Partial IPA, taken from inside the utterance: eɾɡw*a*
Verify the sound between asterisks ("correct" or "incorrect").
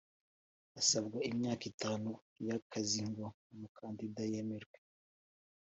incorrect